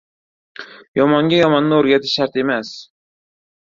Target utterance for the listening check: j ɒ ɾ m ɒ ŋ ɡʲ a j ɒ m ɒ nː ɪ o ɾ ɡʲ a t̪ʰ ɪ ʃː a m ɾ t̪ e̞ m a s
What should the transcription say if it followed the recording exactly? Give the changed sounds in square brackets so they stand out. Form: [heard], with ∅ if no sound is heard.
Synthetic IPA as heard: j ɒ [∅] m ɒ ŋ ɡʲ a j ɒ m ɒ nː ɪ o ɾ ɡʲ a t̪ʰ ɪ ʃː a [∅] ɾ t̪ e̞ m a s